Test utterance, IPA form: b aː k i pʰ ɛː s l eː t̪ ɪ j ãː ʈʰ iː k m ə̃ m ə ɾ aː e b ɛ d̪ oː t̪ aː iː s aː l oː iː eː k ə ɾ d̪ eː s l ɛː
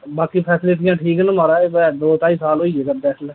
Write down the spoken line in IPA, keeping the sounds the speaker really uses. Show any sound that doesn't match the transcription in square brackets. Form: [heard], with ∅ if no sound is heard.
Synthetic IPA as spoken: b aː k i pʰ ɛː s l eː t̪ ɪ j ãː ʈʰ iː k [n] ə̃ m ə ɾ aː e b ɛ d̪ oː t̪ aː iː s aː l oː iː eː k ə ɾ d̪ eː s l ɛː